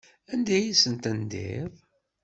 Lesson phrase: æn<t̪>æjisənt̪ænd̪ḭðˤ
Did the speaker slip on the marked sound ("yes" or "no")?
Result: yes